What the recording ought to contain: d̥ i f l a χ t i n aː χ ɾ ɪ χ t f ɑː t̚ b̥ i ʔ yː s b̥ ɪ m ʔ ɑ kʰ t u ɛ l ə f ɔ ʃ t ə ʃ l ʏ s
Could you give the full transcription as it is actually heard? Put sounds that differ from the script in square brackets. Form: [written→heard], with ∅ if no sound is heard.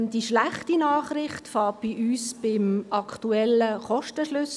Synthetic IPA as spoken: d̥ i [f→ʃ] l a χ t i n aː χ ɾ ɪ χ t f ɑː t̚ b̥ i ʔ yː s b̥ ɪ m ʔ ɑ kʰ t u ɛ l ə [f→χ] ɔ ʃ t ə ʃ l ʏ s